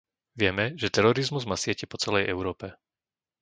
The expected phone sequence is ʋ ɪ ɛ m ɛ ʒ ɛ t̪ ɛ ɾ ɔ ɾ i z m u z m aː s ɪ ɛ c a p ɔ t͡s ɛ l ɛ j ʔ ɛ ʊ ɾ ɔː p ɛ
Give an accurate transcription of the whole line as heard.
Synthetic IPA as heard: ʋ ɪ ɛ m ɛ ʒ ɛ t̪ ɛ ɾ ɔ ɾ i z m u z m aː s ɪ ɛ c ɛ p ɔ t͡s ɛ l ɛ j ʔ ɛ ʊ ɾ ɔː p ɛ

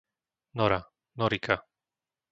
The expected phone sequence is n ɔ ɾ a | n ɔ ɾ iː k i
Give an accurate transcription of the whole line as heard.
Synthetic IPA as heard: n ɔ ɾ a | n ɔ ɾ i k a

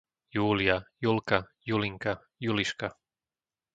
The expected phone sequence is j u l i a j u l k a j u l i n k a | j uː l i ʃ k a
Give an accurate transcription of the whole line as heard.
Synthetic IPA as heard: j uː l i a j u l k a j u l i ŋ k a | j u l i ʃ k a

